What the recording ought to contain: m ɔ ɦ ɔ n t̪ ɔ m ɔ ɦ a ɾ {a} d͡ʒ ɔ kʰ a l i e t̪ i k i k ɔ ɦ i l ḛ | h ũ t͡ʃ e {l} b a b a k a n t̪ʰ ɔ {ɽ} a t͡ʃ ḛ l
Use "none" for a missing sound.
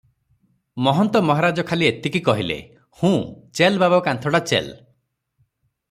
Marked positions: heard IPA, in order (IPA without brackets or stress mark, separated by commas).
a, l, ɽ